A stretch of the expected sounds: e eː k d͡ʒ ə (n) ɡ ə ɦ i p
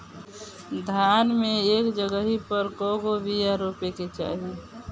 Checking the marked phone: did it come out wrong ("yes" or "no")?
yes